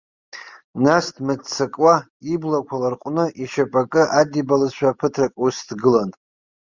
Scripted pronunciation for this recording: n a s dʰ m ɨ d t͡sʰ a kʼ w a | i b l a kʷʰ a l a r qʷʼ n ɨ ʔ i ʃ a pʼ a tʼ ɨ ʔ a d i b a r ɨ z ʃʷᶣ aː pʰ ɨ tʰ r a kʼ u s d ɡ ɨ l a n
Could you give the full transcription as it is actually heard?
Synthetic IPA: n a s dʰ m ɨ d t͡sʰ a kʼ w a | i b l a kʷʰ a l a r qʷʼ n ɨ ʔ i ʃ a pʼ a kʼ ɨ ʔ a d i b a l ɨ z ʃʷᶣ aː pʰ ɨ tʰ r a kʼ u s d ɡ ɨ l a n

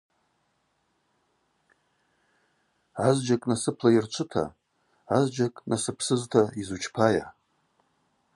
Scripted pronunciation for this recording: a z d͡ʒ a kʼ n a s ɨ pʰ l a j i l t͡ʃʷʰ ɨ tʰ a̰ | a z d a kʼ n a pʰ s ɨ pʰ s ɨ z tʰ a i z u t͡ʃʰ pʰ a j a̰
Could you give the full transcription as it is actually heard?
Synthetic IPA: a z d͡ʒ a kʼ n a s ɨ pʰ l a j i r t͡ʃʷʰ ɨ tʰ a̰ | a z d͡ʒ a kʼ n a s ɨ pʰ s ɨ z tʰ a i z u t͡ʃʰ pʰ a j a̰

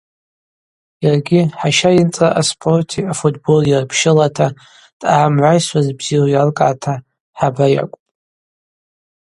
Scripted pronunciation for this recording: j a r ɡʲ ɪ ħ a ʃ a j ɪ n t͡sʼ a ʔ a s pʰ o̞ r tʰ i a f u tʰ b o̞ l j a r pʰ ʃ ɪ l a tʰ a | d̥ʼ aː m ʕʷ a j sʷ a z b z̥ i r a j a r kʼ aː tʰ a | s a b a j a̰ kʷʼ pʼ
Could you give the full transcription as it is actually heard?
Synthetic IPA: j a r ɡʲ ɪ ħ a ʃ a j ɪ n t͡sʼ a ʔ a s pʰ o̞ r tʰ i a f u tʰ b o̞ l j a r pʰ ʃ ɪ l a tʰ a | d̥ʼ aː m ʕʷ a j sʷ a z b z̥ i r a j a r kʼ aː tʰ a | ħ a b a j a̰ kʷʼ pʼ

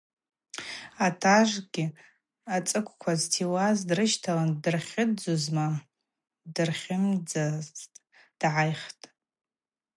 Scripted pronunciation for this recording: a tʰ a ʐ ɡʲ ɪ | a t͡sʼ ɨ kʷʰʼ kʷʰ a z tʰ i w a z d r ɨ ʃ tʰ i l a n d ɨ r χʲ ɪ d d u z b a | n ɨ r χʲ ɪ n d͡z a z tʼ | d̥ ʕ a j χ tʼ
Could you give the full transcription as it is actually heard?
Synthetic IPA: a tʰ a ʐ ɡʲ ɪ | a t͡sʼ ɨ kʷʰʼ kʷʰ a z tʰ i w a z d r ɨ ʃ tʰ a l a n d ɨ r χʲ ɪ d d͡z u z m a | d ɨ r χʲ ɪ m d͡z a z tʼ | d̥ ʕ a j χ tʼ

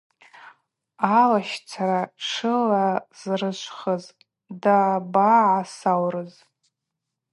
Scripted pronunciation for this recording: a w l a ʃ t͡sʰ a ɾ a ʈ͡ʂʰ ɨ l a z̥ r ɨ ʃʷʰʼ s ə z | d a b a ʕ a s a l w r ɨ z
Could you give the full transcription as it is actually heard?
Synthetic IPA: a l a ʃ t͡sʰ a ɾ a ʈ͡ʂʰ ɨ l a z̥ r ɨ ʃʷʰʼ χ ə z | d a b a ʕ a s a w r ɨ z

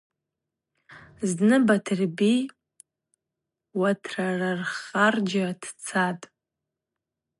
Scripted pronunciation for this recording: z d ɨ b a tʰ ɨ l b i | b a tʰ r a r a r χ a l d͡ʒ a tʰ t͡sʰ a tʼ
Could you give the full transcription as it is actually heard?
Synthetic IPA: z n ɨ b a tʰ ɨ r b i | w a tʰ r a r a r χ a r d͡ʒ a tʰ t͡sʰ a tʼ

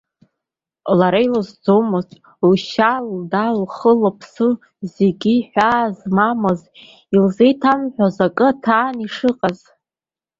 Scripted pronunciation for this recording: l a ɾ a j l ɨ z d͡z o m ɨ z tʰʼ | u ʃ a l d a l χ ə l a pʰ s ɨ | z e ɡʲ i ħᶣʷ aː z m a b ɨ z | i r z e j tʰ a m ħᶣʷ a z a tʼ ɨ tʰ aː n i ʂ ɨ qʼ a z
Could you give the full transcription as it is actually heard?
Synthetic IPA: l a ɾ a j l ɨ z d͡z o m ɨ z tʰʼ | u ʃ a l d a l χ ə l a pʰ s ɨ | z e ɡʲ i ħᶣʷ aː z m a m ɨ z | i l z e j tʰ a m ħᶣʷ a z a kʼ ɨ tʰ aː n i ʂ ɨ qʼ a z

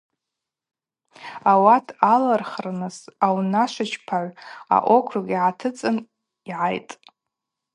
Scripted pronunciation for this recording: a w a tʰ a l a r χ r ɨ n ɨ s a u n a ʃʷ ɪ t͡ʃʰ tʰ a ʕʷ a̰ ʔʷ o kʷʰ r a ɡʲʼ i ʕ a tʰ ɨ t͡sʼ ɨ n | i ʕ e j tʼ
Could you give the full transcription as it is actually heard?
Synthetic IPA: a w a tʰ a l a r χ r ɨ n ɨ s a w n a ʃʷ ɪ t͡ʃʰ pʰ a ʕʷ a̰ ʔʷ o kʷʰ r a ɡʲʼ i ʕ a tʰ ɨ t͡sʼ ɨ n | i ʕ a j tʼ

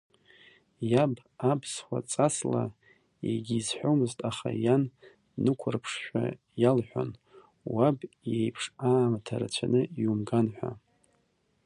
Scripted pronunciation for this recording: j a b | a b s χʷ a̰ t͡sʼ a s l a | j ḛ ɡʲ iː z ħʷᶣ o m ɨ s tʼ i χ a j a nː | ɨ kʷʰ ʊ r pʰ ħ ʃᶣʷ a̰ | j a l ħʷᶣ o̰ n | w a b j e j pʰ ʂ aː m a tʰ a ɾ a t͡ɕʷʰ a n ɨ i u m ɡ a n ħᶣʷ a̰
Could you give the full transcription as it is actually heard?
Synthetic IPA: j a b | a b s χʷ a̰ t͡sʼ a s l a | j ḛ ɡʲ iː z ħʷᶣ o m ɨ z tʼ a χ a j a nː | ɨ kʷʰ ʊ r pʰ ʂ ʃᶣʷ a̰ | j a l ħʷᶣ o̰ n | w a b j e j pʰ ʂ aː m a tʰ a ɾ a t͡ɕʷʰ a n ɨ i u m ɡ a n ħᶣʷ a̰

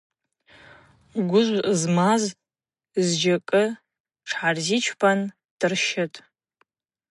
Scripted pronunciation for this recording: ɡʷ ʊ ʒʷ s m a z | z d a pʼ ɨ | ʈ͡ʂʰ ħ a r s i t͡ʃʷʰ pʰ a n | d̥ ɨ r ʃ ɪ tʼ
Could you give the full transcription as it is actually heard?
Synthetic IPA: ɡʷ ʊ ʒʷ z m a z | z d͡ʒ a kʼ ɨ | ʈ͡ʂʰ ħ a r z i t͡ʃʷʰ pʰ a n | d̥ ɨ r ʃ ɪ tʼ

